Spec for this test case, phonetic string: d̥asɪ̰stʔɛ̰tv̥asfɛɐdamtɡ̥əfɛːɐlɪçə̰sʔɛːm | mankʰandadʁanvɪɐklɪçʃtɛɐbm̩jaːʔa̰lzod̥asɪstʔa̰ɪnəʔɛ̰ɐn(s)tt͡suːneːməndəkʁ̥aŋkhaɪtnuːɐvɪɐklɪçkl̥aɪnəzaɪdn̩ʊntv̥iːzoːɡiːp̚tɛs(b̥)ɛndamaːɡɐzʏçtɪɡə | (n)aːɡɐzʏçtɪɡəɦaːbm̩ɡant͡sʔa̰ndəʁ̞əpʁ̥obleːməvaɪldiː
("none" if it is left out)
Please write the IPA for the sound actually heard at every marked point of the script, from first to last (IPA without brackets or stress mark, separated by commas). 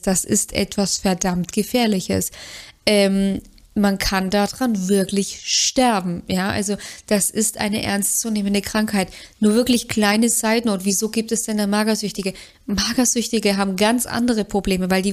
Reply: s, d̥, m